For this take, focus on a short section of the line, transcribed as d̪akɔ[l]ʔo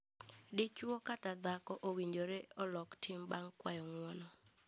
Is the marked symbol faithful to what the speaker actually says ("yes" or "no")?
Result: no